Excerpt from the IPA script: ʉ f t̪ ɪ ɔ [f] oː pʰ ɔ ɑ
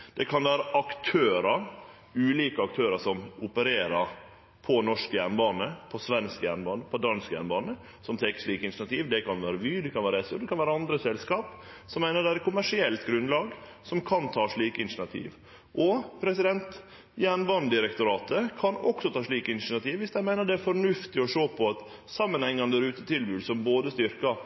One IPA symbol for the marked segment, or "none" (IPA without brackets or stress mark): ʂ